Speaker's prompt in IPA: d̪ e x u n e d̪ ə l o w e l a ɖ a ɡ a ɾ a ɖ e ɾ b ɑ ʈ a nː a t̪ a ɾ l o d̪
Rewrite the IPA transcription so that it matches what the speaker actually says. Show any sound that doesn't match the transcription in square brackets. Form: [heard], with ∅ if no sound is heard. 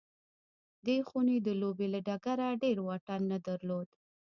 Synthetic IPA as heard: d̪ e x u n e d̪ ə l o [b] e l a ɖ a ɡ a ɾ a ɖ e ɾ [w] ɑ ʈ a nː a [d̪] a ɾ l o d̪